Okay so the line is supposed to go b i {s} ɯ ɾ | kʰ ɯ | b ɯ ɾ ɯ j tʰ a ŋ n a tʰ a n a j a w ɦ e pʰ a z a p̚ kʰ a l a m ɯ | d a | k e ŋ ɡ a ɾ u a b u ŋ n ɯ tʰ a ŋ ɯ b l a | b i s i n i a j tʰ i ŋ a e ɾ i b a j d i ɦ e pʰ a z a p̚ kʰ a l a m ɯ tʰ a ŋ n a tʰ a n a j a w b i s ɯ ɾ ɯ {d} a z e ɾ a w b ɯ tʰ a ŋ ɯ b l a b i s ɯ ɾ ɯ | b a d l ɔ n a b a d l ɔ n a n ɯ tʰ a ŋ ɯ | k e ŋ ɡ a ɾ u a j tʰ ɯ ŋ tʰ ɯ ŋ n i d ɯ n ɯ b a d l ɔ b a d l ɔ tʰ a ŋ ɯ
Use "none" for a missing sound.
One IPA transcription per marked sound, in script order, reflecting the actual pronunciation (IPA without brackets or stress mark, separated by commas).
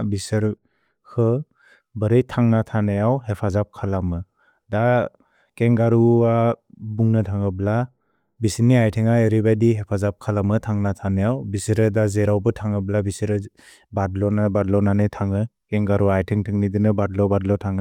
s, d